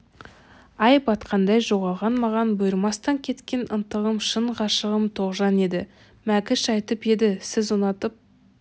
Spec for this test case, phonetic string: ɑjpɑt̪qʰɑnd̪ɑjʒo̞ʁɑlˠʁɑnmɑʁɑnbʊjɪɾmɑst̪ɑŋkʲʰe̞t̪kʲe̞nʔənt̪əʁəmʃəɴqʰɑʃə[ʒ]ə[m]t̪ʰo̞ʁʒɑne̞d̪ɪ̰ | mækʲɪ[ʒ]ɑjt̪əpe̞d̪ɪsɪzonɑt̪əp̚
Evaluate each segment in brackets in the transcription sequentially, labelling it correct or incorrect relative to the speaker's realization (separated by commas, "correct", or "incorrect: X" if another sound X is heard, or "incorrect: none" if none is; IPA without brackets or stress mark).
incorrect: ʁ, correct, incorrect: ʃ